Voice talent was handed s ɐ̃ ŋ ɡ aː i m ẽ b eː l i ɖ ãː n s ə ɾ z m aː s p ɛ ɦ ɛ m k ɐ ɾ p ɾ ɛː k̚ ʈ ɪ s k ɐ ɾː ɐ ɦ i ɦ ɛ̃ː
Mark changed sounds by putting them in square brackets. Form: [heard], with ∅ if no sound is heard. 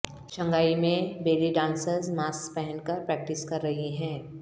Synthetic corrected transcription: [ʃ] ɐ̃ ŋ ɡ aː i m ẽ b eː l i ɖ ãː n s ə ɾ z m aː s p ɛ ɦ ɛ [n] k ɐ ɾ p ɾ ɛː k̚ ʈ ɪ s k ɐ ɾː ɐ ɦ i ɦ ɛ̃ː